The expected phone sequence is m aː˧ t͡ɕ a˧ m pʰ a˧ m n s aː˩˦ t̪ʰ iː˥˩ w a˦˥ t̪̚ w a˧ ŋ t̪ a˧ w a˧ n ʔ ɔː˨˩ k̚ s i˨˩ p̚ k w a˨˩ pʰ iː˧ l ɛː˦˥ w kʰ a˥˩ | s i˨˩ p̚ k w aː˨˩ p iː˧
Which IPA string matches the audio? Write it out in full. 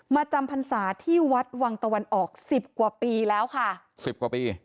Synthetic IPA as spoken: m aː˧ t͡ɕ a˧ m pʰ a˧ n s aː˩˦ t̪ʰ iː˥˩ w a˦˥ t̪̚ w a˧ ŋ t̪ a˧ w a˧ n ʔ ɔː˨˩ k̚ s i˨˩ p̚ k w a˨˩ p iː˧ l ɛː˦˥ w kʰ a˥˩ | s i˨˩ p̚ k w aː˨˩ p iː˧